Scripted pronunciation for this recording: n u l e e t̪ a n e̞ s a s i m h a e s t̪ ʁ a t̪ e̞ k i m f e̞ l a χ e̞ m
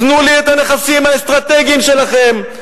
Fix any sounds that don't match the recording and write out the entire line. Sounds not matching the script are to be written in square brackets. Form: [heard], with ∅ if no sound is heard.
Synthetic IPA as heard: n u l [i] e t̪ a n e̞ [χ] a s i m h a e s t̪ ʁ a t̪ e̞ [ɡ] i m [ʃ] e̞ l a χ e̞ m